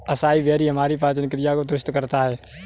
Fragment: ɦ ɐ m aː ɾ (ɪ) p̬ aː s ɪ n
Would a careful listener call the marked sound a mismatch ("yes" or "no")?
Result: yes